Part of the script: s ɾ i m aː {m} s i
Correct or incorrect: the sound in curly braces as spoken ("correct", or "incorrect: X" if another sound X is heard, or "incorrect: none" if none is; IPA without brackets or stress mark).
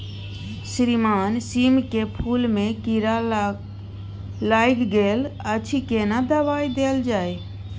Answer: incorrect: n